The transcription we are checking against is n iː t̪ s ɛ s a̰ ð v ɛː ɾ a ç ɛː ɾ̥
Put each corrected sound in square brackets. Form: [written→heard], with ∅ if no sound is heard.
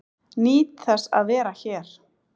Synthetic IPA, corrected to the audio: n iː t̪ [s→θ] ɛ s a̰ ð v ɛː ɾ a ç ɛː ɾ̥